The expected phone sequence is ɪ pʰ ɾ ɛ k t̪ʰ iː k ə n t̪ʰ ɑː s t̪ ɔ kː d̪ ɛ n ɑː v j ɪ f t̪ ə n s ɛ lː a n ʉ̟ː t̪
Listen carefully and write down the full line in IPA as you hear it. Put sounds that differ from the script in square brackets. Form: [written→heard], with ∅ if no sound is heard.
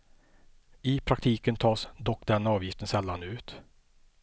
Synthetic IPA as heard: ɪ pʰ ɾ [ɛ→a] k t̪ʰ iː k ə n t̪ʰ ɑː s [t̪→d̪] ɔ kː d̪ ɛ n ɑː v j ɪ f t̪ ə n s ɛ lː a n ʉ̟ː t̪